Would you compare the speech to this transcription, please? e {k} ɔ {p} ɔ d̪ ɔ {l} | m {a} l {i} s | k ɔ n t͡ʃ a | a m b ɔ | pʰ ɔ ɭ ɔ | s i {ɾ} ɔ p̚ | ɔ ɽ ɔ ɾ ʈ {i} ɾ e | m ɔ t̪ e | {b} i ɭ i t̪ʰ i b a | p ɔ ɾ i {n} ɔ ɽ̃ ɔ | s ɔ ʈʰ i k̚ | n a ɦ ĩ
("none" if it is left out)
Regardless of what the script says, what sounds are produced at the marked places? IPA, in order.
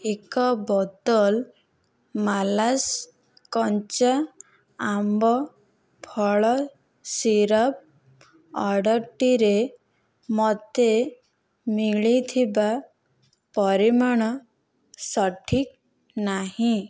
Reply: k, b, l, a, a, ɾ, i, m, m

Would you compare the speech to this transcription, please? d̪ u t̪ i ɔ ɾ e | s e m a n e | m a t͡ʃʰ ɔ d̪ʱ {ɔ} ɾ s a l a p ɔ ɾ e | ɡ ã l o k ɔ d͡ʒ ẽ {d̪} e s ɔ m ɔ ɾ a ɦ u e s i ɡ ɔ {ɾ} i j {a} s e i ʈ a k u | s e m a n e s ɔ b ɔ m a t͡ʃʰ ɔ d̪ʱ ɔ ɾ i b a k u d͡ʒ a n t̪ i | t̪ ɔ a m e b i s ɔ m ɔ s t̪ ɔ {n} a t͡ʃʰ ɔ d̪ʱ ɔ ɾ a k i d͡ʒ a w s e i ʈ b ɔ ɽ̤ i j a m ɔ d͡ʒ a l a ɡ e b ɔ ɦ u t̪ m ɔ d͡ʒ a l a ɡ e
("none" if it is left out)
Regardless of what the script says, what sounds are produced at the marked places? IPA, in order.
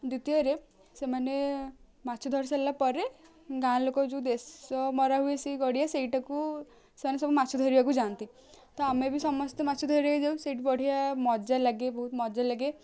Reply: ɔ, d̪, ɽ, a, m

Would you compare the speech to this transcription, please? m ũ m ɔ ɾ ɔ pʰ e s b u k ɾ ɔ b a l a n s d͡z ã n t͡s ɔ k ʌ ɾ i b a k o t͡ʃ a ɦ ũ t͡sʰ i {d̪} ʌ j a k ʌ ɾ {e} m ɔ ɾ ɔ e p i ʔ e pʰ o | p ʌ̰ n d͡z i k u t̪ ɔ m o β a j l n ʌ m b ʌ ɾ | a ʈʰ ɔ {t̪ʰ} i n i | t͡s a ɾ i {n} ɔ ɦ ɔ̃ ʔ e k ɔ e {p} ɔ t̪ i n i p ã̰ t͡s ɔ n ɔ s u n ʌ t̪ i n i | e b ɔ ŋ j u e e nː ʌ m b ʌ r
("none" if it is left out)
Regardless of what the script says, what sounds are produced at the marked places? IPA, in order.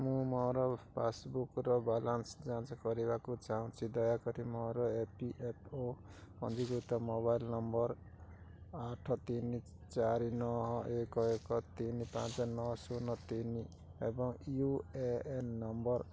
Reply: d̪, i, t̪, n, k

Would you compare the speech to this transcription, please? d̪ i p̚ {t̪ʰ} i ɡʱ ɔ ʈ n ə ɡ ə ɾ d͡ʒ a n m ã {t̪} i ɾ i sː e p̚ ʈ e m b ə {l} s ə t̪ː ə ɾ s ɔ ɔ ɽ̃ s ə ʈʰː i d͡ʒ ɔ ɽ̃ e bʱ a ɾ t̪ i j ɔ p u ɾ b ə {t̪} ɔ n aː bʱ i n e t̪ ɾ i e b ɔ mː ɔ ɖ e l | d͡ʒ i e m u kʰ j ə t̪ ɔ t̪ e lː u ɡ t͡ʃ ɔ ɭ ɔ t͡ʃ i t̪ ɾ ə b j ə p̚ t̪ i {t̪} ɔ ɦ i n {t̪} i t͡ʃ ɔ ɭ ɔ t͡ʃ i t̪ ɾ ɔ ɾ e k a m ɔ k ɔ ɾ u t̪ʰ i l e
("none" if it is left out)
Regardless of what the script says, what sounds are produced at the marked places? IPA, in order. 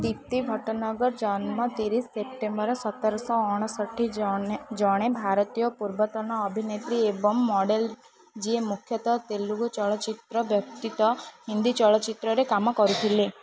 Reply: t̪, t̪, ɾ, t̪, t̪, d̪

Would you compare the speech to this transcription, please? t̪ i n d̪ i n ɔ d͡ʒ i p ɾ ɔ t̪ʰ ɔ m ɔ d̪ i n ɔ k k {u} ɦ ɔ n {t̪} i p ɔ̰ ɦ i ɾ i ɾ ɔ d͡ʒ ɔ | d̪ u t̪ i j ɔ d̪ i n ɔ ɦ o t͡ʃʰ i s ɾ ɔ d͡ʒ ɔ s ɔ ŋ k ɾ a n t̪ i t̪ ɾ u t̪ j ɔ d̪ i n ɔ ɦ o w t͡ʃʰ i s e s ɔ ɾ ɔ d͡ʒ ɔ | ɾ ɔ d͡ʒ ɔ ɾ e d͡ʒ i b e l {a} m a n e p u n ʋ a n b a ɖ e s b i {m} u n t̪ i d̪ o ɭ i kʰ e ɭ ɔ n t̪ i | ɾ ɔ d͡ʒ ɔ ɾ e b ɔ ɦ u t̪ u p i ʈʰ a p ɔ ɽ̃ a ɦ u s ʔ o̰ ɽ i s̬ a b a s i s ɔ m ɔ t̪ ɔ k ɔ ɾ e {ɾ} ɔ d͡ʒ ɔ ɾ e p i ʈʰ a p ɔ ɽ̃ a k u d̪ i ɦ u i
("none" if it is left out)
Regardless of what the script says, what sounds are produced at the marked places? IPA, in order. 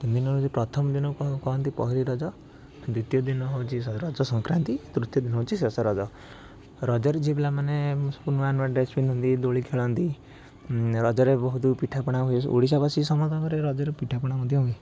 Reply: ɔ, t̪, a, n, ɾ

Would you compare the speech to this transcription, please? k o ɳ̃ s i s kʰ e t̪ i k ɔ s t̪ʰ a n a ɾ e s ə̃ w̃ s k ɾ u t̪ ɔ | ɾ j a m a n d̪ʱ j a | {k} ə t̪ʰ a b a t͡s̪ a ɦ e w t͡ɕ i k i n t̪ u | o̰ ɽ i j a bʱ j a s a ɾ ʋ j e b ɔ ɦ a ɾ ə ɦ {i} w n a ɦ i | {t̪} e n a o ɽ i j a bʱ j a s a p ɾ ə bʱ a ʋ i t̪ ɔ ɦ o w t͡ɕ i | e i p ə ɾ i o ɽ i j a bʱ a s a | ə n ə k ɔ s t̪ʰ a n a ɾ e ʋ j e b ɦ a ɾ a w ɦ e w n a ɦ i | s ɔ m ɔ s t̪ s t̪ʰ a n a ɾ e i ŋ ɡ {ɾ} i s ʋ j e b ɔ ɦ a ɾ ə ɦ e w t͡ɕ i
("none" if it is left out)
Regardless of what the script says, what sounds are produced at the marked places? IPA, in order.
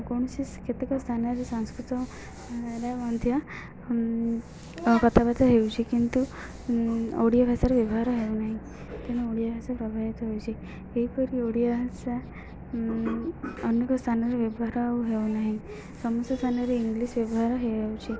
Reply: k, e, t̪, l

